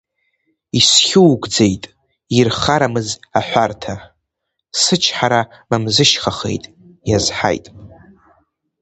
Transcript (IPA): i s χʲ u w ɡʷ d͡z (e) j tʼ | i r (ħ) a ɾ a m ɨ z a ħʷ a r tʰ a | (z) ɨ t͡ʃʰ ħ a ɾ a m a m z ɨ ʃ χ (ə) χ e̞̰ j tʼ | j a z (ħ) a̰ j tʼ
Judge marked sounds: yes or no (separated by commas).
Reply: yes, no, no, no, yes